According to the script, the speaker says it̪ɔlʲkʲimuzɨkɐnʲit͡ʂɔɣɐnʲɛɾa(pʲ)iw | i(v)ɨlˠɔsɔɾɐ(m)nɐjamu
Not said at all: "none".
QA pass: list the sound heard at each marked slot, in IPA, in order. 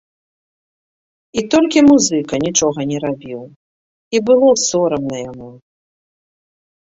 bʲ, b, m

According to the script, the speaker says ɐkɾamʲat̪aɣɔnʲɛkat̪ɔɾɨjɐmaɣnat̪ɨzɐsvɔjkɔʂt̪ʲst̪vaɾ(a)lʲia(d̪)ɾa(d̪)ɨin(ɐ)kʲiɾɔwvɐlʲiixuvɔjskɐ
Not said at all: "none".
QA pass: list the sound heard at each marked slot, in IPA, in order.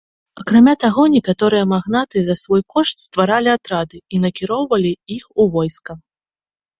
a, t̪, d̪, ɐ

